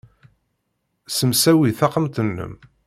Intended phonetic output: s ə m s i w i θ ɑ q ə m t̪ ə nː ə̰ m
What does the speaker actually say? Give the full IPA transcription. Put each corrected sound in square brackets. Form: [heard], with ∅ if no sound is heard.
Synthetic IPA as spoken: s ə m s [æ] w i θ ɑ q ə m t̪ ə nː ə̰ m